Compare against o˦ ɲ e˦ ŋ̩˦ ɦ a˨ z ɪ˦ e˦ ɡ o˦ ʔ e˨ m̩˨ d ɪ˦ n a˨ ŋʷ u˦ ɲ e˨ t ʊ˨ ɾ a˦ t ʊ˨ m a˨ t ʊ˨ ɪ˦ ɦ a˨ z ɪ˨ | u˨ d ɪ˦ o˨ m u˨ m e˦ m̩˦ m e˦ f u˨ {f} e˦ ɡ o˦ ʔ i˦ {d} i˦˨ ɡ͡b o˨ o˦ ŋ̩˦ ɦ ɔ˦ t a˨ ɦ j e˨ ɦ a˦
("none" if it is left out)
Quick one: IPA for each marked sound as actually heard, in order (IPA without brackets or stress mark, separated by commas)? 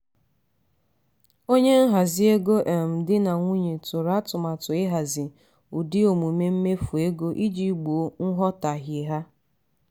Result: none, d͡ʒ